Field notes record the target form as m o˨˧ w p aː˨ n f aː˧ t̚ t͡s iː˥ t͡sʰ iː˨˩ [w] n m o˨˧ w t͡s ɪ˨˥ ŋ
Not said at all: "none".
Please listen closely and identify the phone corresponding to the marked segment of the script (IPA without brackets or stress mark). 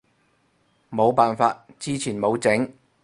none